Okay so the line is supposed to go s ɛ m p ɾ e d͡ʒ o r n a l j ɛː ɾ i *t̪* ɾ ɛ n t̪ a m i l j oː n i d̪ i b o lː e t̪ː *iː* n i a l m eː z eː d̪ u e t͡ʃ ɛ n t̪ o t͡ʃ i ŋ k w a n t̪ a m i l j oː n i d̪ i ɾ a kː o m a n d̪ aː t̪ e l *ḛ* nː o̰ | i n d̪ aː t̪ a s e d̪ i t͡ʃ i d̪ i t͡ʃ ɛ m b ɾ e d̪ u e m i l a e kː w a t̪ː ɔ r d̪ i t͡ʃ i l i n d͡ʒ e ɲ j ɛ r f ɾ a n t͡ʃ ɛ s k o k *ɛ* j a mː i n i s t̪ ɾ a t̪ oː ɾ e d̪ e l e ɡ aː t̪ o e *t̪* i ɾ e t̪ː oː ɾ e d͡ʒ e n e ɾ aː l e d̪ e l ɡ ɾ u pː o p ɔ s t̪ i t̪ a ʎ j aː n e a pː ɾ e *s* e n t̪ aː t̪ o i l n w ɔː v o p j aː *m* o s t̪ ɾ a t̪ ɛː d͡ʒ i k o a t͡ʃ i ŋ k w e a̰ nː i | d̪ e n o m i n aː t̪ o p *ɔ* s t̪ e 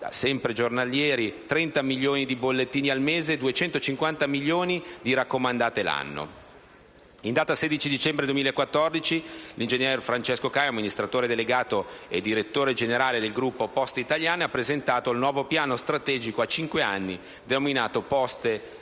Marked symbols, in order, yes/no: yes, yes, no, no, no, no, no, yes

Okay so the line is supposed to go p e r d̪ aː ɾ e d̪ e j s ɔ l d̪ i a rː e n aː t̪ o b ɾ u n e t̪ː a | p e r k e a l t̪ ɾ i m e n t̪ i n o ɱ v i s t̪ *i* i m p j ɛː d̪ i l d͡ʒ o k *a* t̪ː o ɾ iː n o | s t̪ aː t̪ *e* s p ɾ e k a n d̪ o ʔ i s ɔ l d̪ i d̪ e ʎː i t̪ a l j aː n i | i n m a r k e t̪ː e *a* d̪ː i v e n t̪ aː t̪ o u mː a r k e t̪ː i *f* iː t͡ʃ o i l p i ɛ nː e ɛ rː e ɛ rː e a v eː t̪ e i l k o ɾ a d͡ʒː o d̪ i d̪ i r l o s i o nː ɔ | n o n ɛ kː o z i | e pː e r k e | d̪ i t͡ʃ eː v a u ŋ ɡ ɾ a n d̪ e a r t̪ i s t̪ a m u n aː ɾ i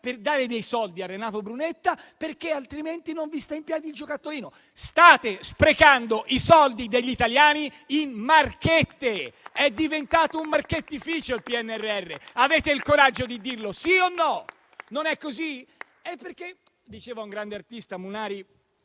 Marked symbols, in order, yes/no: no, yes, yes, no, yes

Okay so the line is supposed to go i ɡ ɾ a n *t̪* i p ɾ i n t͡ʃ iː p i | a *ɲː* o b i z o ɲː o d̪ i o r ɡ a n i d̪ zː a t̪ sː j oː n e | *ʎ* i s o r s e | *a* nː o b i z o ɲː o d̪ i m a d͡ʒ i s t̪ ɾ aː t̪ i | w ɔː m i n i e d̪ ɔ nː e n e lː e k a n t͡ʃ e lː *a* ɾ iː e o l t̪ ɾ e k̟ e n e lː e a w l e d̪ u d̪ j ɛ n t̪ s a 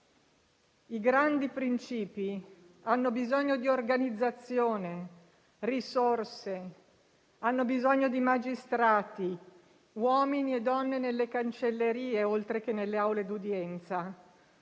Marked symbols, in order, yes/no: no, no, no, yes, no

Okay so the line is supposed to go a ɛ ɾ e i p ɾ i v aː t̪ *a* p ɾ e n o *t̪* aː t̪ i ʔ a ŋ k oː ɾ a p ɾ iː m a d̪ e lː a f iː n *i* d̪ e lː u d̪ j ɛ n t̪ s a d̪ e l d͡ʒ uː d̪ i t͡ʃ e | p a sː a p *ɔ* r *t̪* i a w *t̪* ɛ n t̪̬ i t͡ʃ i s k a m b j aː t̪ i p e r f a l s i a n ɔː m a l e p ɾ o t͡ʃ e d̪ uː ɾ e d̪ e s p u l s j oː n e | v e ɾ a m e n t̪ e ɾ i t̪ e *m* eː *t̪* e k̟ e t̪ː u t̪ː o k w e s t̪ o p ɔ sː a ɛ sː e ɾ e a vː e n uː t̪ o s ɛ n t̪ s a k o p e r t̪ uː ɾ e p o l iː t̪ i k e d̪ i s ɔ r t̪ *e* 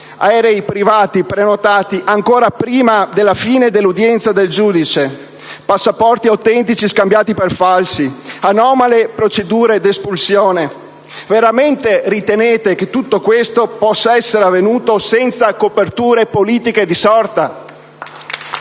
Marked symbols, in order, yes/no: no, yes, no, yes, yes, yes, no, yes, no

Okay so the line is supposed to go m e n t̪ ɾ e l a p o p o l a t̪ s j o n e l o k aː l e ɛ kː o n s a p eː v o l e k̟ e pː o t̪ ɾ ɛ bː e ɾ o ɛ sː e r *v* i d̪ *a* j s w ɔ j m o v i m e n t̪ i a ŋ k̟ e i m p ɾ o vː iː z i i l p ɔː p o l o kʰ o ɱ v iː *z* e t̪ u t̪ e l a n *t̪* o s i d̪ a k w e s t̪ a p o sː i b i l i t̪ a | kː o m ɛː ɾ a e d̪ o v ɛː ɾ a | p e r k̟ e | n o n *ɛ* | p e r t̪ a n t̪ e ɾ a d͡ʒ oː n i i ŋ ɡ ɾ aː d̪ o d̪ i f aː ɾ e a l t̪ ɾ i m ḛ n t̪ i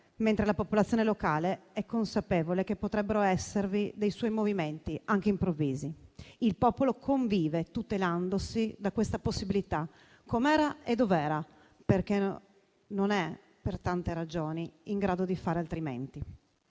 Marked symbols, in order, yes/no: yes, no, no, no, yes

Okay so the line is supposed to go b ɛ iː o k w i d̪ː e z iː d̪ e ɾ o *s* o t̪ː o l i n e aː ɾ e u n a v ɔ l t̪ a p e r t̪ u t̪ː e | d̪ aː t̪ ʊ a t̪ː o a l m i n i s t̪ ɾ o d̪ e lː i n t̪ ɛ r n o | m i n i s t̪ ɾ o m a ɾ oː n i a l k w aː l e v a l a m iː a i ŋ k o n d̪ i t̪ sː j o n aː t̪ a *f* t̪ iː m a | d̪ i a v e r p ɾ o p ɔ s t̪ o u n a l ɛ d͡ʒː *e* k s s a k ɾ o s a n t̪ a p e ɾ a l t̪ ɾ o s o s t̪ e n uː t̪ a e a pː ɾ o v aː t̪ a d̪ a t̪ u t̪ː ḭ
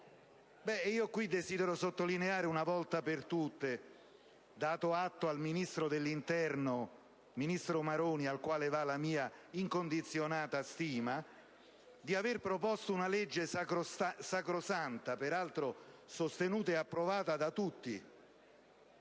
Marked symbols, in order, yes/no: yes, no, yes

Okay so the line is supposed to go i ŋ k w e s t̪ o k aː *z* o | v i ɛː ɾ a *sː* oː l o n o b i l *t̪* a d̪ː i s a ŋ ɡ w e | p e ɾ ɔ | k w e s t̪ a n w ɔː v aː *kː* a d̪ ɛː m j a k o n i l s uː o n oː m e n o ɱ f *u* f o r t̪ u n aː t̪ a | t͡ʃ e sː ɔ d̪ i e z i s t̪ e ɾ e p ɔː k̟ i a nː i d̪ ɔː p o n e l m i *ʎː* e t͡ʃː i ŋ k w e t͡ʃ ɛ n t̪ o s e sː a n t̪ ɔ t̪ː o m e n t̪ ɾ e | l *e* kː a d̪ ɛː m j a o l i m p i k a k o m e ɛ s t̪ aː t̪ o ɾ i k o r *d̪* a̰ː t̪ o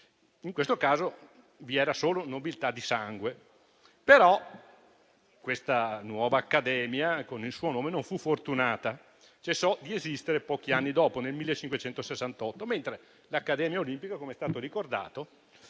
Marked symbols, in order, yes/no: yes, no, yes, yes, yes, no, no, yes

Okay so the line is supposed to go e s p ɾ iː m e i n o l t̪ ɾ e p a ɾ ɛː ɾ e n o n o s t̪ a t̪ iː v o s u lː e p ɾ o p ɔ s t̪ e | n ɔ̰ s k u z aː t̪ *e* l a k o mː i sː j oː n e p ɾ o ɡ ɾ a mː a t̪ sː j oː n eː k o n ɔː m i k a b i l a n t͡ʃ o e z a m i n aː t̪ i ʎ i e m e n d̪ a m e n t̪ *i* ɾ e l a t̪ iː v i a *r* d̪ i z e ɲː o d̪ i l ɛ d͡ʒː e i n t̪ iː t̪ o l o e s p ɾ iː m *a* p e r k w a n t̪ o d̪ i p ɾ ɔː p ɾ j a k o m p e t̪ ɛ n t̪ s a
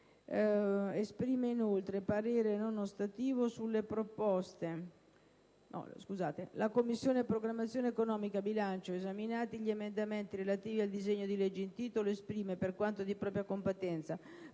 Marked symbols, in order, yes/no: yes, yes, no, no

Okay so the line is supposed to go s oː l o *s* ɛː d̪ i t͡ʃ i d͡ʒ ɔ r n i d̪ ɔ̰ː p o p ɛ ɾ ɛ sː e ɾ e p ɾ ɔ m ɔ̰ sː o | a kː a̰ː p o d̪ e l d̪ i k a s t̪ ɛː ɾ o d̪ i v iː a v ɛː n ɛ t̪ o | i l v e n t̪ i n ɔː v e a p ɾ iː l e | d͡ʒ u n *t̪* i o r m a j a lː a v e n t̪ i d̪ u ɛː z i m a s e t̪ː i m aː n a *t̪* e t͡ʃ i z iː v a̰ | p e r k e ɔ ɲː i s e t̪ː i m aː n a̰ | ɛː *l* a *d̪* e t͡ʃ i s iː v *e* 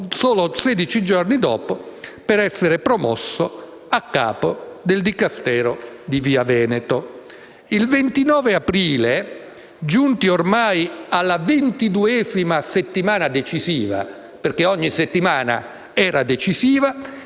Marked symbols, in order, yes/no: yes, yes, no, no, yes, no

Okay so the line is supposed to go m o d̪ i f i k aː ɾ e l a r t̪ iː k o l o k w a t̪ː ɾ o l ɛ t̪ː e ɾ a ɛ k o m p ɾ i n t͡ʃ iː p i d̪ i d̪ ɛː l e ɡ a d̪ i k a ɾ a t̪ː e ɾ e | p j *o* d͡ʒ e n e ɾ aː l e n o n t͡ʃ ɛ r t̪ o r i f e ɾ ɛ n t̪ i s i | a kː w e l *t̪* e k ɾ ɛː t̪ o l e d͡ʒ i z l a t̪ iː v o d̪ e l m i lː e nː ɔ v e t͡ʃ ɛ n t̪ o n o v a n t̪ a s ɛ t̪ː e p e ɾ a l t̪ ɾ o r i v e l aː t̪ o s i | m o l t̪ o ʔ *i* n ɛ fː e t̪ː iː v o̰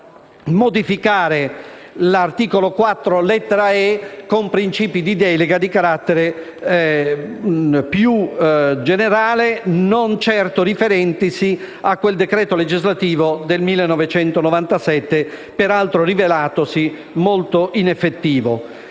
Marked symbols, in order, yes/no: no, no, yes

